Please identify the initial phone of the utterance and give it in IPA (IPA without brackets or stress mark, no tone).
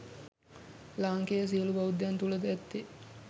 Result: l